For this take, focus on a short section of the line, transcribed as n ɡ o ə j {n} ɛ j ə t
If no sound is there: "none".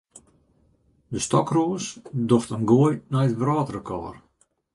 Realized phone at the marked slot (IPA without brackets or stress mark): n